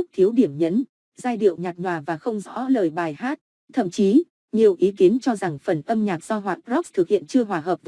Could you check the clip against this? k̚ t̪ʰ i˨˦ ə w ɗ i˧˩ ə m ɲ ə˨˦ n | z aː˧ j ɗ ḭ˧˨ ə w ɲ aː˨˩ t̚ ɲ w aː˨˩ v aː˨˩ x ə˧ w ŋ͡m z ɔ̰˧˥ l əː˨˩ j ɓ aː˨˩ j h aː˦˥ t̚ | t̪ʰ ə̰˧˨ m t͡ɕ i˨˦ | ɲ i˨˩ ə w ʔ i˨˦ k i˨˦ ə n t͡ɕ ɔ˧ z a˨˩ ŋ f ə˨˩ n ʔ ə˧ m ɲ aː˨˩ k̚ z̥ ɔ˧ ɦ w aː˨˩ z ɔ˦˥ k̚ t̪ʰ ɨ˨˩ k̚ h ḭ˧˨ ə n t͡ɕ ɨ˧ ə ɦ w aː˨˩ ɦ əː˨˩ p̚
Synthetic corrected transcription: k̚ t̪ʰ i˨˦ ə w ɗ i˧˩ ə m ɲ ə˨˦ n | z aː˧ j ɗ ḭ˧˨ ə w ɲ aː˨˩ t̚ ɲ w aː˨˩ v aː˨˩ x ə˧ w ŋ͡m z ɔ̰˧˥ l əː˨˩ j ɓ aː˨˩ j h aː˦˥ t̚ | t̪ʰ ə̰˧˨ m t͡ɕ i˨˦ | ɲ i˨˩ ə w ʔ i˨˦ k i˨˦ ə n t͡ɕ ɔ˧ z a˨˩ ŋ f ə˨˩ n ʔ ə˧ m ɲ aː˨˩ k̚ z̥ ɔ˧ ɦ w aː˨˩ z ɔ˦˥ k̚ t̪ʰ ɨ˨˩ k̚ h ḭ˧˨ ə n t͡ɕ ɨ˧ ə ɦ w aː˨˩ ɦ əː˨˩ p̚